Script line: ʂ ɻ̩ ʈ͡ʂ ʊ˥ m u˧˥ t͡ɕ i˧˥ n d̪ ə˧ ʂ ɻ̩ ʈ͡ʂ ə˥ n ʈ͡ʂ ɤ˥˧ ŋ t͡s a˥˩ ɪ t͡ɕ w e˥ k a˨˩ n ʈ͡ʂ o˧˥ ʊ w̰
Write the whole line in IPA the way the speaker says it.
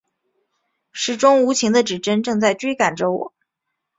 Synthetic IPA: ʂ ɻ̩ ʈ͡ʂ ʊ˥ ŋ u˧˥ t͡ɕʰ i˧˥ ŋ d̪ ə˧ ʈ͡ʂ ɻ̩ ʈ͡ʂ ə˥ n ʈ͡ʂ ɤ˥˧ ŋ t͡s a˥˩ ɪ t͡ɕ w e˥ k a˨˩ n ʈ͡ʂ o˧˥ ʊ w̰